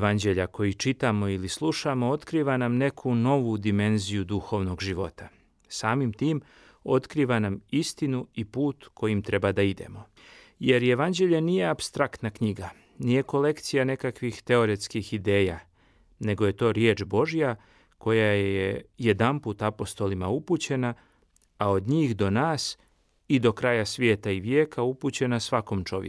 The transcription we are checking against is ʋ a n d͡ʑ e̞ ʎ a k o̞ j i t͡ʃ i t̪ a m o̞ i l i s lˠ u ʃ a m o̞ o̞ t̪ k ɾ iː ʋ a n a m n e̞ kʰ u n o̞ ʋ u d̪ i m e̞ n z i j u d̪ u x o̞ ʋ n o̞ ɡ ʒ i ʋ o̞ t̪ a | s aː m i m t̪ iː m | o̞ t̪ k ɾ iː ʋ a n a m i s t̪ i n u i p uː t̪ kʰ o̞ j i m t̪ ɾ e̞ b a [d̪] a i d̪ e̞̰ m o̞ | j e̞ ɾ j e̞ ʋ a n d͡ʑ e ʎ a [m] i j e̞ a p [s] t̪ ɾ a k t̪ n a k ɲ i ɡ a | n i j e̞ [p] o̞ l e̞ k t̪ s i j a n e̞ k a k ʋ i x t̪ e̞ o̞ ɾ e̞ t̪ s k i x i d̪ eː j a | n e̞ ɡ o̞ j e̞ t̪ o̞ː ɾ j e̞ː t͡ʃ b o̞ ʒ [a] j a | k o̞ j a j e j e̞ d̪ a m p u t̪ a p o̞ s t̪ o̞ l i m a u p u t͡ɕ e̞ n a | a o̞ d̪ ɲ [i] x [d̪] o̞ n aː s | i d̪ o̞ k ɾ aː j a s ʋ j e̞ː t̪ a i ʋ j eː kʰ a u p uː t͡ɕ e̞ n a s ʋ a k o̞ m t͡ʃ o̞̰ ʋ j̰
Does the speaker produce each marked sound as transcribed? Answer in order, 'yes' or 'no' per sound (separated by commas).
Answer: yes, no, yes, no, no, no, yes